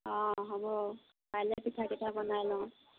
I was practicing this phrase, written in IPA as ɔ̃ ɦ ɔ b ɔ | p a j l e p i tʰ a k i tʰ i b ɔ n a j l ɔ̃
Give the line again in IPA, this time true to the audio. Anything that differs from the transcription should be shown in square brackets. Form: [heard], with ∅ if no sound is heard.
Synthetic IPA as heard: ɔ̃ ɦ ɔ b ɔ | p a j l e p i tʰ a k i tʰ [a] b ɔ n a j l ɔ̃